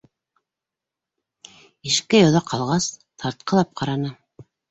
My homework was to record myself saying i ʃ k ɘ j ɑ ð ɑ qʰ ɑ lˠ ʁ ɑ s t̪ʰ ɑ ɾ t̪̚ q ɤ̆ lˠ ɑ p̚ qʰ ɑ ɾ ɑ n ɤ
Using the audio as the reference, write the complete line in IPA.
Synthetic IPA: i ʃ k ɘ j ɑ ð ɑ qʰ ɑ lˠ ʁ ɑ s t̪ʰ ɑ ɾ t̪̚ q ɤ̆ lˠ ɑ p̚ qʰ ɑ ɾ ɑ n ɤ